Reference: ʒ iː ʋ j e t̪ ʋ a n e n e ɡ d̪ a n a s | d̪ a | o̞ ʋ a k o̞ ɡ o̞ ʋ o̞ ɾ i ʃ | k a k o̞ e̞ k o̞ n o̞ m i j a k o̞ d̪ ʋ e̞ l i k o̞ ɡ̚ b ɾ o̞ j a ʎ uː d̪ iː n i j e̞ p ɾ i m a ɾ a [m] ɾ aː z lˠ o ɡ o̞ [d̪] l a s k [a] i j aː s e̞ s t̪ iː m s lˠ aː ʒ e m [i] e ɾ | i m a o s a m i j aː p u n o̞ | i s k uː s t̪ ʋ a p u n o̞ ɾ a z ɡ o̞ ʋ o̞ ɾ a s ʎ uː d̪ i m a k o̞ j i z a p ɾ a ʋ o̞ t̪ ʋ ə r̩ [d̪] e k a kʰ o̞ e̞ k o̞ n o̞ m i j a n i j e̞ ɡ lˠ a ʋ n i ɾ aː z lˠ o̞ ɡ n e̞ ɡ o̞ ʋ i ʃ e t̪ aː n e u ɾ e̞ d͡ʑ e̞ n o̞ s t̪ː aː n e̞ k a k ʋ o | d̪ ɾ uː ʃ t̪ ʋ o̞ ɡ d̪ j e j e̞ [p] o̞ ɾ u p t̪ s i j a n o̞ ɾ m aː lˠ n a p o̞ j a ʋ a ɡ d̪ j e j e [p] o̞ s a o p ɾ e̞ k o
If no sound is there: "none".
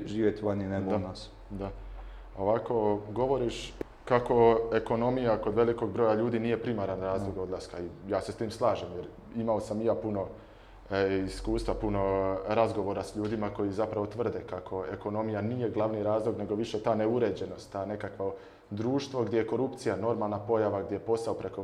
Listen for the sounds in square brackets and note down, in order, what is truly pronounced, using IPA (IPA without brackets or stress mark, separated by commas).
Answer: n, d̪, a, j, d̪, k, p